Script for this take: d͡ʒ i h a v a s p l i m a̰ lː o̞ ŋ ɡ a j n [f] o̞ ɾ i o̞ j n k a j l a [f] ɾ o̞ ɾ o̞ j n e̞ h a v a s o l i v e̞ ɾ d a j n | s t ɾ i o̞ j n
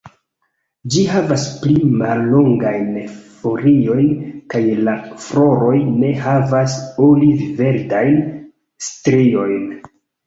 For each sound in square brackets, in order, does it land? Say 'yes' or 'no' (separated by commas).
yes, yes